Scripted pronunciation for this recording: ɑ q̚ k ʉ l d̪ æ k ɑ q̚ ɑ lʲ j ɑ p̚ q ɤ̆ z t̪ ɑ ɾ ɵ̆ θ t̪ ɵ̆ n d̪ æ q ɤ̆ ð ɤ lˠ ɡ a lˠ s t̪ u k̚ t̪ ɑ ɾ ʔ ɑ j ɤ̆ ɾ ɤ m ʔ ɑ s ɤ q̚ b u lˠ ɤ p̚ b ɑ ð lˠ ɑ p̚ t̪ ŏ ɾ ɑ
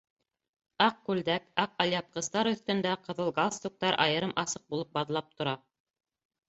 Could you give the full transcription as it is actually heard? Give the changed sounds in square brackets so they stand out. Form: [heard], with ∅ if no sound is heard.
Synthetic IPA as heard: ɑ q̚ k ʉ l d̪ æ k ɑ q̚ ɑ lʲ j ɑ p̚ q ɤ̆ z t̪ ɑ ɾ ɵ̆ θ t̪ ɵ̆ n d̪ æ q ɤ̆ ð ɤ lˠ ɡ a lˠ s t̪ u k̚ t̪ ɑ ɾ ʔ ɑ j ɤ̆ ɾ ɤ m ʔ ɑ s ɤ q̚ b u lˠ ɤ p̚ b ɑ ð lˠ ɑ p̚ t̪ ŏ ɾ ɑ